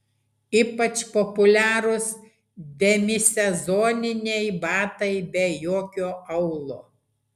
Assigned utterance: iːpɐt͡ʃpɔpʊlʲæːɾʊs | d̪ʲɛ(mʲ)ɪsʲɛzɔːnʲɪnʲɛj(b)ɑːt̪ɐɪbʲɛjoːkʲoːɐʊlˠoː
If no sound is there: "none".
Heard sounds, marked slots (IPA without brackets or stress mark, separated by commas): mʲ, b